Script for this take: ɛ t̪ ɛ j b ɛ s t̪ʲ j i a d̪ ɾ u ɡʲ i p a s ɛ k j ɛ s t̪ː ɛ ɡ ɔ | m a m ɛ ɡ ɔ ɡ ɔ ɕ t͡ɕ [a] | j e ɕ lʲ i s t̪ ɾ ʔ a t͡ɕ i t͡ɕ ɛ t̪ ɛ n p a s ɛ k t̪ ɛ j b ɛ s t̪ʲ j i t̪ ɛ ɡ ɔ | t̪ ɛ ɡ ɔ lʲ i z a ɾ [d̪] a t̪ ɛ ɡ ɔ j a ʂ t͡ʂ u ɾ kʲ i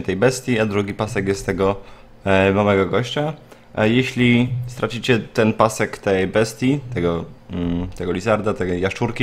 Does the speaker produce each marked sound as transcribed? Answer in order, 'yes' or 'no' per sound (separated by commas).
yes, yes